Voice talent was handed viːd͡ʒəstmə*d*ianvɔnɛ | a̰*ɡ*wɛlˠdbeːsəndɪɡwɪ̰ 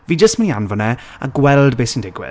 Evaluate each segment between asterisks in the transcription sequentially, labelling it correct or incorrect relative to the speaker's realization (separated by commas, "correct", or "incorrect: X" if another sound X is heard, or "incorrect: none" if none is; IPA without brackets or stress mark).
incorrect: n, correct